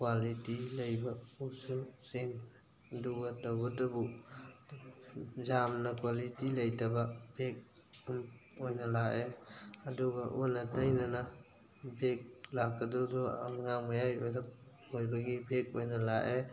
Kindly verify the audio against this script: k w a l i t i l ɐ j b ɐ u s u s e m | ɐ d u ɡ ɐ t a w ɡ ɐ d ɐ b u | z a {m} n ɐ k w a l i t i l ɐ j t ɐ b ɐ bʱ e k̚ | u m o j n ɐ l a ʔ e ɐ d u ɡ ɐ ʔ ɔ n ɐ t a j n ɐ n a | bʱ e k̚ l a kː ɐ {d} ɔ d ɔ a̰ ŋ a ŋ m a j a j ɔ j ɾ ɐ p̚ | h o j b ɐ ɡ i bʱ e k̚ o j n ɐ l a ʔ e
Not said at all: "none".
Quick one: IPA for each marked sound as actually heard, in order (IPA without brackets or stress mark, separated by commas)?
m, d